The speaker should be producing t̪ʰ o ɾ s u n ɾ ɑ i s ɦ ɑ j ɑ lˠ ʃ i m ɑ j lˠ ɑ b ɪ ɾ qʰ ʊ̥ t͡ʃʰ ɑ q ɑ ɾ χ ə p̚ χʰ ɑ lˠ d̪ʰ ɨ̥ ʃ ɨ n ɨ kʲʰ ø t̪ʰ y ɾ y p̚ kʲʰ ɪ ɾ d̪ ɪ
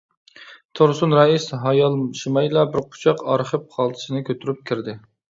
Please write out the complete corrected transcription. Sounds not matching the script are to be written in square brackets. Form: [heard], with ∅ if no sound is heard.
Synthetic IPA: t̪ʰ o ɾ s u n ɾ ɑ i s ɦ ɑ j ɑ lˠ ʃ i m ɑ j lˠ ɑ b ɪ ɾ qʰ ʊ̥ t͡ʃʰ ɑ q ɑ ɾ χ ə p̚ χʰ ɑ lˠ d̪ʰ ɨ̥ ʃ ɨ n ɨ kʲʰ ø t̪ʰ y ɾ y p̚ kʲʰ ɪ ɾ d̪ ɪ